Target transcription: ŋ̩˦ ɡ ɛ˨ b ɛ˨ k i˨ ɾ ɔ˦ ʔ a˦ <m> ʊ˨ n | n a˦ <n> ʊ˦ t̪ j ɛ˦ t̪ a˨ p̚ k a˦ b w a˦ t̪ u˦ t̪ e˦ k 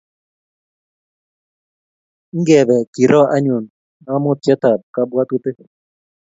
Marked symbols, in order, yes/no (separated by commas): no, no